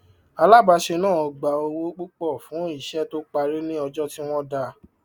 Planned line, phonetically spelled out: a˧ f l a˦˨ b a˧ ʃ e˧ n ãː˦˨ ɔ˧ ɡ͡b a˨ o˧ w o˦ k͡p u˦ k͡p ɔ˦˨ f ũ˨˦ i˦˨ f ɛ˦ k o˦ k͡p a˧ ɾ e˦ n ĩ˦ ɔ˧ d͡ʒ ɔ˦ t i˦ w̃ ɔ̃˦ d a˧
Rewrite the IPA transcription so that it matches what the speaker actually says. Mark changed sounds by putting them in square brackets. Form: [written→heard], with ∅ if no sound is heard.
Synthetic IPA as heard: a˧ [f→∅] l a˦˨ b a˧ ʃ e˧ n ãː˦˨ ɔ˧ ɡ͡b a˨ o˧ w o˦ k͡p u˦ k͡p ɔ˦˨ f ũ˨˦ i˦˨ [f→ʃ] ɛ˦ [k→t] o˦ k͡p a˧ ɾ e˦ n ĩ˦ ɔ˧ d͡ʒ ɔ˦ t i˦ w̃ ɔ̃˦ d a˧